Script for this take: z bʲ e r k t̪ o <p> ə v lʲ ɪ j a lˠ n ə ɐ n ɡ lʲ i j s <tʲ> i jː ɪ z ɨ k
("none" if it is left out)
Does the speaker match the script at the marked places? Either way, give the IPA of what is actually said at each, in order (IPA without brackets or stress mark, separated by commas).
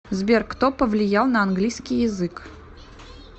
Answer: p, kʲ